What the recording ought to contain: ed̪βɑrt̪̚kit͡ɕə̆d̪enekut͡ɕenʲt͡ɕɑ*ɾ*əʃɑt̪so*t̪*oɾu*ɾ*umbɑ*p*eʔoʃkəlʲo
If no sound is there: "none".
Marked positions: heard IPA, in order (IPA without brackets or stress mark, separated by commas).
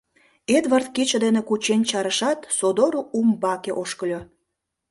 ɾ, d̪, none, k